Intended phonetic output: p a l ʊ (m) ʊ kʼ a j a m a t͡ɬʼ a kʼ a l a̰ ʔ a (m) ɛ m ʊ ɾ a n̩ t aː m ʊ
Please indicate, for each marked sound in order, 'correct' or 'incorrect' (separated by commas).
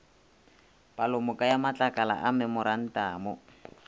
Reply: correct, correct